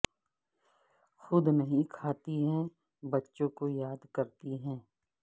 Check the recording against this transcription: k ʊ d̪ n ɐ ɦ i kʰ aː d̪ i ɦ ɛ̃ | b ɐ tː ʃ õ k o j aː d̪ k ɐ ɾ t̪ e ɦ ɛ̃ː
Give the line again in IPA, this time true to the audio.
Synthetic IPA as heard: x ʊ d̪ n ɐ ɦ ĩ kʰ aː t̪ i ɦ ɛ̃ | b ɐ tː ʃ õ k o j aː d̪ k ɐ ɾ t̪ i ɦ ɛ̃ː